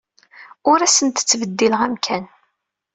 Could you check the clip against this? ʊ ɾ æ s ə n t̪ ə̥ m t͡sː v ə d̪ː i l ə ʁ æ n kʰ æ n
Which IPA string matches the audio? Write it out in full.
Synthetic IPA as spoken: ʊ ɾ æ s ə n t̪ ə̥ t͡sː v ə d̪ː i l ə ʁ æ m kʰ æ n